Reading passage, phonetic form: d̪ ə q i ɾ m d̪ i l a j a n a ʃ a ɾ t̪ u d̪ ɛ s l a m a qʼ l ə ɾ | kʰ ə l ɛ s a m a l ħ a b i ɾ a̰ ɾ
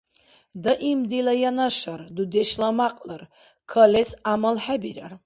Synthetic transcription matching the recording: d̪ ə ʔ i m d̪ i l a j a n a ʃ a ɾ d̪ u d̪ ɛ ʃ l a m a qʼ l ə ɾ | kʰ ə l ɛ s a m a l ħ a b i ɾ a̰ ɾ